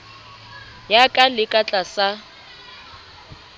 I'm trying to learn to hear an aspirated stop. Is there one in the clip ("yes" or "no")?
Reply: no